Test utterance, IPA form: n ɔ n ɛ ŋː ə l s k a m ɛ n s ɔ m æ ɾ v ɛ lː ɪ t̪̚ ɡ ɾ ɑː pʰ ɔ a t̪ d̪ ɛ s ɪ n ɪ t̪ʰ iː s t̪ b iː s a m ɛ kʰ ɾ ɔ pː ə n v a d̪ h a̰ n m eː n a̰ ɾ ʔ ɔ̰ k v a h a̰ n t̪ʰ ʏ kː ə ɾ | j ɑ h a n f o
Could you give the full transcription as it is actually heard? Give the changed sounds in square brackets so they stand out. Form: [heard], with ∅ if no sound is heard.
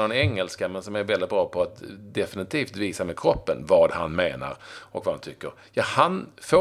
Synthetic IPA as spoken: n ɔ n ɛ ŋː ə l s k a m ɛ n s ɔ m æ ɾ v ɛ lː ɪ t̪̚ [b] ɾ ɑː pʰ ɔ a t̪ d̪ ɛ [f] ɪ n ɪ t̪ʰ iː [f] t̪ [v] iː s a m ɛ kʰ ɾ ɔ pː ə n v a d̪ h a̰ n m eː n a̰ ɾ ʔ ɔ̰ k v a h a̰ n t̪ʰ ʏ kː ə ɾ | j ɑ h a n f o